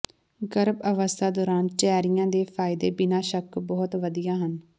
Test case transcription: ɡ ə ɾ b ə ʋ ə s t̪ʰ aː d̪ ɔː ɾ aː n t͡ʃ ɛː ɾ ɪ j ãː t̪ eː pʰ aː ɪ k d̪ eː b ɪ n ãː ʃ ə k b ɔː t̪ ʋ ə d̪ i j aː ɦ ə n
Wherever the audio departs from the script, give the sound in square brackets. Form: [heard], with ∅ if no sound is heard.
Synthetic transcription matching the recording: ɡ ə ɾ b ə ʋ ə s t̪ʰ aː d̪ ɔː ɾ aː n t͡ʃ ɛː ɾ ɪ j ãː [d̪] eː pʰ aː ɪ [∅] d̪ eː b ɪ n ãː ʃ ə k b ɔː t̪ ʋ ə d̪ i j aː ɦ ə n